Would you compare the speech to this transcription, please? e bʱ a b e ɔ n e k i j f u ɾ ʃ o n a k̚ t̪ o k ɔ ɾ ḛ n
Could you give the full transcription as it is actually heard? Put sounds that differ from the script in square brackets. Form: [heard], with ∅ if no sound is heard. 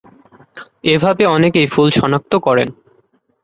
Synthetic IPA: e bʱ a b e ɔ n e k [e] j f u [l] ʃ [ɔ] n a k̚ t̪ o k ɔ ɾ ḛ n